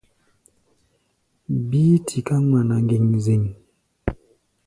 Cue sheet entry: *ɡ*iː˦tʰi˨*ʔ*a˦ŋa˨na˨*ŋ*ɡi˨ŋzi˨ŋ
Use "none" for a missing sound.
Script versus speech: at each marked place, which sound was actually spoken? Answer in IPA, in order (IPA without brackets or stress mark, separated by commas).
b, k, ŋ